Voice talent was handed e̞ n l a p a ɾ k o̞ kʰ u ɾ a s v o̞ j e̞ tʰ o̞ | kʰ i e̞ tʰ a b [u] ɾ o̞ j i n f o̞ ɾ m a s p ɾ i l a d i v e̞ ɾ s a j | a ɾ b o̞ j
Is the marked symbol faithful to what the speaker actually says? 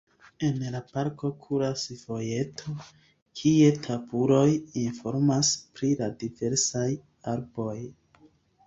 yes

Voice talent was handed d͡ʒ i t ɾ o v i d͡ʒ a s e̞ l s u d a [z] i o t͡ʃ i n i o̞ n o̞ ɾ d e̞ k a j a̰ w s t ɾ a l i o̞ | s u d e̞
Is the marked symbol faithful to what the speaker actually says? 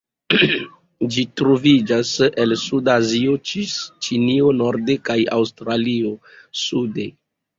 yes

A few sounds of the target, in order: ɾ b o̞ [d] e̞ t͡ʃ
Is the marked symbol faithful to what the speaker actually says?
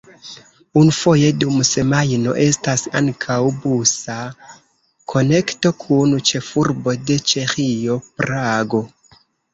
yes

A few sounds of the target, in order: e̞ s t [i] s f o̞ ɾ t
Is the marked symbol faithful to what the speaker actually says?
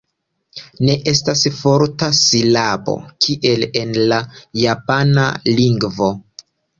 no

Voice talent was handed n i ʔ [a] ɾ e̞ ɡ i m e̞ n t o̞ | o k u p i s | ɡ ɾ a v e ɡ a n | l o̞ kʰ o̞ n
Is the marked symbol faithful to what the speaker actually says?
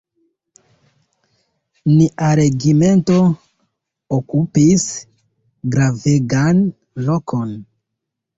yes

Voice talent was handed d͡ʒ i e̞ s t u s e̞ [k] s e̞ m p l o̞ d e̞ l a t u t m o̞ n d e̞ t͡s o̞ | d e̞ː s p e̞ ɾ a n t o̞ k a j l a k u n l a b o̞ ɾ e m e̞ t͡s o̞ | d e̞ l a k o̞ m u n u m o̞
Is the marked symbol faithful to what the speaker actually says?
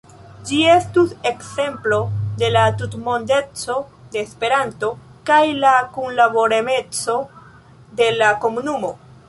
yes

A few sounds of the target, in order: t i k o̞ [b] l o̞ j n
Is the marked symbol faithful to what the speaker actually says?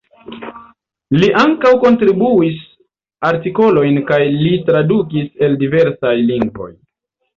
no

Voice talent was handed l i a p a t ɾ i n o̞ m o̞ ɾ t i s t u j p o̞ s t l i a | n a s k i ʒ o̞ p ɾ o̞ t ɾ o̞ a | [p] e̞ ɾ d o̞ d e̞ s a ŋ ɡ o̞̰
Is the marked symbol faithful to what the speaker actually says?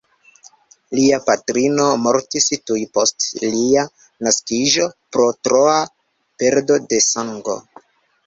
yes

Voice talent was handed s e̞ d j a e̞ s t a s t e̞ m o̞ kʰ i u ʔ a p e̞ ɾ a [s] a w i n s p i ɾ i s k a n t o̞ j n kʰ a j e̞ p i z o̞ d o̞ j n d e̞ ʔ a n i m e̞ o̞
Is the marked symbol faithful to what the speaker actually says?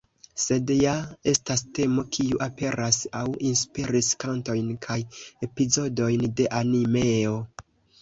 yes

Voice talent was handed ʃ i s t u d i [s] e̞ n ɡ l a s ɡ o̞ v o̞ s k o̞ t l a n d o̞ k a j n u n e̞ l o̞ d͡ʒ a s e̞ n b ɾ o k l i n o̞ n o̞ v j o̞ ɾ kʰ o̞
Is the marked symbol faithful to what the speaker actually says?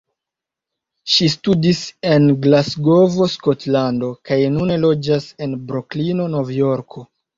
yes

